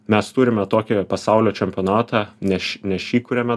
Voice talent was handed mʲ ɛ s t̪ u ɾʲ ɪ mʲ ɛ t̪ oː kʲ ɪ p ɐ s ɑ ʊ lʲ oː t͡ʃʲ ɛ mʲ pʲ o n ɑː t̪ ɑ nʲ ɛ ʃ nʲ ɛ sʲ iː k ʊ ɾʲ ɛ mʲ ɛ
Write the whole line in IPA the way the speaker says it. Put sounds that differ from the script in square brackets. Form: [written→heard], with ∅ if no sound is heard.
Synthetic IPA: mʲ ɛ s t̪ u ɾʲ ɪ mʲ ɛ t̪ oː kʲ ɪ p ɐ s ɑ ʊ lʲ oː t͡ʃʲ ɛ mʲ pʲ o n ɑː t̪ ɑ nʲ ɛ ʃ nʲ ɛ [sʲ→ʃʲ] iː k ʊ ɾʲ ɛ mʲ ɛ